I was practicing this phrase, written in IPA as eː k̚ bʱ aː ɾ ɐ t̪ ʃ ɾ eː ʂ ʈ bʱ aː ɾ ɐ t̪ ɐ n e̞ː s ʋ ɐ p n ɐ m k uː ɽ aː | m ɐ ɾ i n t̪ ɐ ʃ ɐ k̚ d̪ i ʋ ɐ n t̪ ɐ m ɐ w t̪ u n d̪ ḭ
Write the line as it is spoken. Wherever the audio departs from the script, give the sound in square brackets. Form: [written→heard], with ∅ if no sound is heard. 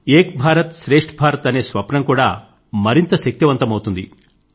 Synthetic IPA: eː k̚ bʱ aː ɾ ɐ t̪ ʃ ɾ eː ʂ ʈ bʱ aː ɾ ɐ t̪ ɐ n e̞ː s ʋ ɐ p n ɐ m k uː ɽ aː | m ɐ ɾ i n t̪ ɐ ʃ ɐ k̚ [d̪→t̪] i ʋ ɐ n t̪ ɐ m ɐ w t̪ u n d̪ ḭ